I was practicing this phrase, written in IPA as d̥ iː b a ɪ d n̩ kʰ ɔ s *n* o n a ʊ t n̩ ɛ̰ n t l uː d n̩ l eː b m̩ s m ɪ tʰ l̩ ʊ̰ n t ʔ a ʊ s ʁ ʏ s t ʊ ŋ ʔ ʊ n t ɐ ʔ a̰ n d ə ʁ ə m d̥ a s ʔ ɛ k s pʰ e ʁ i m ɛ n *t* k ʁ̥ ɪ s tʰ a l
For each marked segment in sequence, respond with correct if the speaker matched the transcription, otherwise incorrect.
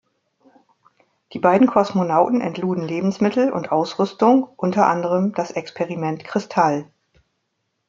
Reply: incorrect: m, correct

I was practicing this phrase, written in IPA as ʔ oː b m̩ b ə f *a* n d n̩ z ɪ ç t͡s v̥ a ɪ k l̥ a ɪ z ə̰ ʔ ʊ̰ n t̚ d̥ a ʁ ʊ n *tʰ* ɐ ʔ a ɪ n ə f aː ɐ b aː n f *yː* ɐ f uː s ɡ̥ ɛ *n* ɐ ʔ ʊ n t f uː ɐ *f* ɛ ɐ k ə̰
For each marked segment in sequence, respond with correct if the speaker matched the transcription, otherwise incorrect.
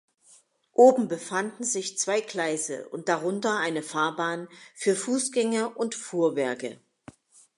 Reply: correct, incorrect: t, correct, incorrect: ŋ, incorrect: v

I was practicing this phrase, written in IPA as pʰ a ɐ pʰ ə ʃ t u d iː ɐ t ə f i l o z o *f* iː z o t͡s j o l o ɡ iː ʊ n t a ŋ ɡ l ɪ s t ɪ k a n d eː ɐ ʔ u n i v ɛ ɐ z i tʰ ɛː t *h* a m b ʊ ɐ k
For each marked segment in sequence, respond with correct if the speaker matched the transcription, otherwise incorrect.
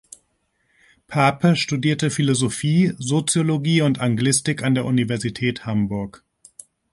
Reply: correct, correct

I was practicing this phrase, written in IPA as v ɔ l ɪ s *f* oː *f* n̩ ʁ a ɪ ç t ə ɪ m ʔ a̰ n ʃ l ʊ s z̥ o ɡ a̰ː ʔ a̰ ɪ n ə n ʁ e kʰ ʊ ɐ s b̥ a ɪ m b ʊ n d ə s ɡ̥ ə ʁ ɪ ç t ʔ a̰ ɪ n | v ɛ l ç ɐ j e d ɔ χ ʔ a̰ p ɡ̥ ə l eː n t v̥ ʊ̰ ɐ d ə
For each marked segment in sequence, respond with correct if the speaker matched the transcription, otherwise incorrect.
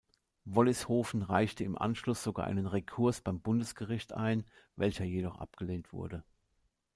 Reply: incorrect: h, correct

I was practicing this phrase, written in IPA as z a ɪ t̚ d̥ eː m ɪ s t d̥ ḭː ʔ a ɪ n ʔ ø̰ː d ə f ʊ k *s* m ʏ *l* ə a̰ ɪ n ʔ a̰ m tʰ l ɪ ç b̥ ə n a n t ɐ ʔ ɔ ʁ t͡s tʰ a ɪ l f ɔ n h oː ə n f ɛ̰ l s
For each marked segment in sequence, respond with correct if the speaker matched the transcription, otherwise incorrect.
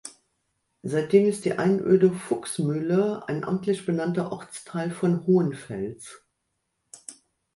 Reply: correct, correct

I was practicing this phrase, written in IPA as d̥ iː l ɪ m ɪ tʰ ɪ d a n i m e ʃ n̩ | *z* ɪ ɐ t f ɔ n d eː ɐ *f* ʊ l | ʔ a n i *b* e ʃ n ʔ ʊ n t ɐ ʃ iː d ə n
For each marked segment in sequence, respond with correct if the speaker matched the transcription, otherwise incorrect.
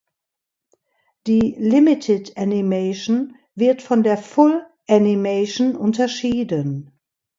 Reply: incorrect: v, correct, incorrect: m

